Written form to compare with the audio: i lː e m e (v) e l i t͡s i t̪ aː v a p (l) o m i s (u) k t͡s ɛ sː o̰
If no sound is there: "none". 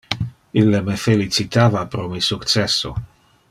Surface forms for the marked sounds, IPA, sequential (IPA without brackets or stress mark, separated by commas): f, ɾ, u